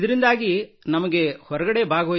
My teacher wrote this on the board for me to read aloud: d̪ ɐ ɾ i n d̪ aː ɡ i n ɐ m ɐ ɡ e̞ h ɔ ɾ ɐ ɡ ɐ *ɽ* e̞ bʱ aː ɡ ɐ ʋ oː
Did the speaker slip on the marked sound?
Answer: no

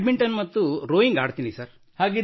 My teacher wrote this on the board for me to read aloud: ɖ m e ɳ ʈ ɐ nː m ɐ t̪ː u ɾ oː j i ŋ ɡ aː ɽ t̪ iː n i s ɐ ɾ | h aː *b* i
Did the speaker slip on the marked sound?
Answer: yes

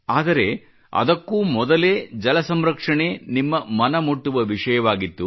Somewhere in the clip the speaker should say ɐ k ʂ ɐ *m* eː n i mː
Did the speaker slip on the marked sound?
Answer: yes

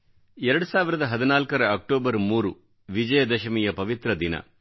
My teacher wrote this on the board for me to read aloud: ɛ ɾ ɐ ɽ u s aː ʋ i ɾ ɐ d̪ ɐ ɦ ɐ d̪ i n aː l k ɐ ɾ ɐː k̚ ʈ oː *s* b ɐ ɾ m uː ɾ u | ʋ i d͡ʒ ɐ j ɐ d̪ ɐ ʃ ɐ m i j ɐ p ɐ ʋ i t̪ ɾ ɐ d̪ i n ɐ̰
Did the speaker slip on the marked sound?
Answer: yes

